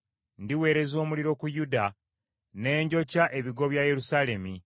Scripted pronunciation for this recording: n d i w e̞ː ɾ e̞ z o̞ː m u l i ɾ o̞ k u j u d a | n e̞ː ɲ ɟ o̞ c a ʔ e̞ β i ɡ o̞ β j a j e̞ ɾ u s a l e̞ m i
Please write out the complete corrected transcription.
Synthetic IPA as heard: n d i w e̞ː ɾ e̞ z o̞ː m u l i ɾ o̞ k u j u d a | n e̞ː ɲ ɟ o̞ c a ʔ e̞ β i ɡ o̞ β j a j e̞ ɾ u s a l e̞ m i